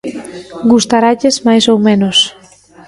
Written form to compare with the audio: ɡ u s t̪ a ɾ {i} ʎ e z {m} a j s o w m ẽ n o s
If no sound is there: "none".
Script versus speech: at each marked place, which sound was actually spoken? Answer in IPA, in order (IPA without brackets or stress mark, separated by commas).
a, m